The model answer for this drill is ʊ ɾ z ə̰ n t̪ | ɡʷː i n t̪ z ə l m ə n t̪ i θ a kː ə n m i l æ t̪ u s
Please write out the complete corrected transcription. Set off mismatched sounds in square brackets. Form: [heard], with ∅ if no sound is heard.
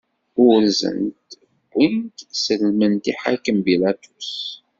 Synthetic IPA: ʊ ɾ z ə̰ n t̪ | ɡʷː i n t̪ [s] ə l m ə n t̪ i [ħ] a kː ə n [b] i l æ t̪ u s